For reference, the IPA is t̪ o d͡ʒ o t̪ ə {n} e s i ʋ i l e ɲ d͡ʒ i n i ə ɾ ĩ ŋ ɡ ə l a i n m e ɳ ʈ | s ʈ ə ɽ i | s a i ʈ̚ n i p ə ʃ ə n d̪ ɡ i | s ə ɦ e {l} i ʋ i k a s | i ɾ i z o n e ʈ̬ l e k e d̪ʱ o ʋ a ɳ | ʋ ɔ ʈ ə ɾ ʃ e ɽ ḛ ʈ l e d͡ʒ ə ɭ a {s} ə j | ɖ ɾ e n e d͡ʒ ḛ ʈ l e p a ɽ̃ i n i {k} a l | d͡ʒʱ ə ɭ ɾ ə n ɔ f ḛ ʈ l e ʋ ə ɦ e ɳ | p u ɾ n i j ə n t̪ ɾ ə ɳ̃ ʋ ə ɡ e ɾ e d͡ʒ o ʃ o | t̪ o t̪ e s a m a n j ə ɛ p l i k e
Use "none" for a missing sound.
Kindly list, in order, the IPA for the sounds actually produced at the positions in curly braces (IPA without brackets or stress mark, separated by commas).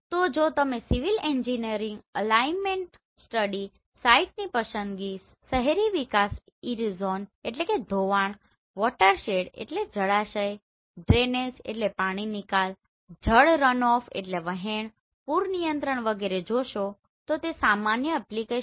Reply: m, ɾ, ʃ, k